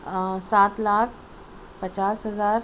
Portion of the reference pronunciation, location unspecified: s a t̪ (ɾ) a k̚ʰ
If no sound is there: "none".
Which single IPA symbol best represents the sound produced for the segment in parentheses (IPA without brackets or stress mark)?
l